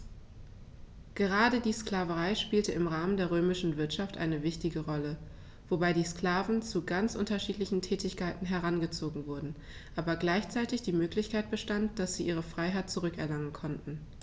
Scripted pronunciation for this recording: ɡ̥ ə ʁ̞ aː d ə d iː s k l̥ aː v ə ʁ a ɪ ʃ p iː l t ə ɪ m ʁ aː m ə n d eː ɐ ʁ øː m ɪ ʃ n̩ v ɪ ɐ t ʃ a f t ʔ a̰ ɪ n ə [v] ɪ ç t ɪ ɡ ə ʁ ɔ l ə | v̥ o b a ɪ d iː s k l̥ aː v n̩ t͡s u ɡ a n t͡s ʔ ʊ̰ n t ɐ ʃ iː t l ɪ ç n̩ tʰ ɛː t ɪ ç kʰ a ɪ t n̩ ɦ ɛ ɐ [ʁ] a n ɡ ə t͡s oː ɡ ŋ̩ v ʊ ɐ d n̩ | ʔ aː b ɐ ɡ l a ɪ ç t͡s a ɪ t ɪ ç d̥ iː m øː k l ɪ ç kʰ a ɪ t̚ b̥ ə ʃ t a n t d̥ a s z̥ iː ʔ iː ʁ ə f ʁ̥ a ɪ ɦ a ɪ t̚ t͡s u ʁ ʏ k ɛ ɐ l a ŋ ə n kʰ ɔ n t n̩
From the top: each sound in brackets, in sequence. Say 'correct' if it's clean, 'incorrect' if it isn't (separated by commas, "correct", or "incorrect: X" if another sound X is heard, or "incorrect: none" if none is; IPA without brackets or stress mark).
correct, correct